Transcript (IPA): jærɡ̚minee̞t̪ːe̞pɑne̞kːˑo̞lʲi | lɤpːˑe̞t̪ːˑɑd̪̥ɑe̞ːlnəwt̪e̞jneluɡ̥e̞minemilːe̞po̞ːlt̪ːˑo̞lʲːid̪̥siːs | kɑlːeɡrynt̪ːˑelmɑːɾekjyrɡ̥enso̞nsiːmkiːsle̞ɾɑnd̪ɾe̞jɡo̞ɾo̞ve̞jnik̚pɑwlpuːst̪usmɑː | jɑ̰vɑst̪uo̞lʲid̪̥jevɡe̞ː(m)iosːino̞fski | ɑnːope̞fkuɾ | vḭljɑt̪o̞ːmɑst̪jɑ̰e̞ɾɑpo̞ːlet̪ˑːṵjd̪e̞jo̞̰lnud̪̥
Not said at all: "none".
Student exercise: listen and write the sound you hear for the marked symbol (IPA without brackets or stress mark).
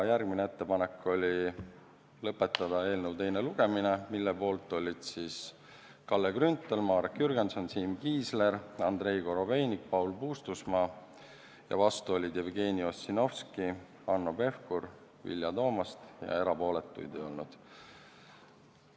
n